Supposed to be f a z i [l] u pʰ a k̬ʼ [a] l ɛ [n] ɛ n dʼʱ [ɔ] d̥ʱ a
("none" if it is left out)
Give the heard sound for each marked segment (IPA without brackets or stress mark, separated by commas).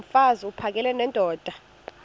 none, ɛ, n, ɔː